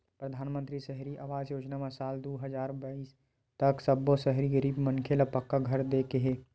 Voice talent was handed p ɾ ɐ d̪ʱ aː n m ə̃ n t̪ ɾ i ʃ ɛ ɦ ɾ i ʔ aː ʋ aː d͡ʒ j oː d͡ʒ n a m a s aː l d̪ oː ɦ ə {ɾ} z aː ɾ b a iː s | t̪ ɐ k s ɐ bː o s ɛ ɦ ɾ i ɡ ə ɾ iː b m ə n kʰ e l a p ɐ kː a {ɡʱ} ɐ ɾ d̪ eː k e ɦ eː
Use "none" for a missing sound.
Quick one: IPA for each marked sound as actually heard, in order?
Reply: none, ɡʱ

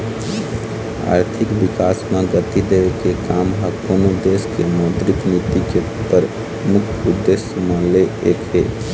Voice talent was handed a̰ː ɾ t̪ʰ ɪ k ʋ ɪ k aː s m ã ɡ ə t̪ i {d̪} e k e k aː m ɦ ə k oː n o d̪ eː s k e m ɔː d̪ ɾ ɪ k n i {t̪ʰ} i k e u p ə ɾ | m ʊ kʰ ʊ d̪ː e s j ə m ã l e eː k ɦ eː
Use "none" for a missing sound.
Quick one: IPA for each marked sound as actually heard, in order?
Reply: d̪, t̪

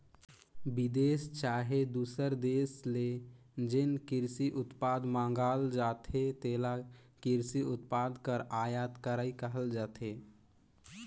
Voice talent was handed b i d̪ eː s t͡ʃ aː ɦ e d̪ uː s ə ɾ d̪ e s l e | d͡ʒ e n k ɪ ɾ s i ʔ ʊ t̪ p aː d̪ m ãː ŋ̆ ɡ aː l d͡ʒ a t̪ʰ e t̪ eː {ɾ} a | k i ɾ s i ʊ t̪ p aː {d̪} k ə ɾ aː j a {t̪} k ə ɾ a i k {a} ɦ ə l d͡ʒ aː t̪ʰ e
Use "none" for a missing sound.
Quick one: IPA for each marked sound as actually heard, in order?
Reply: l, d̪, t̪, ə

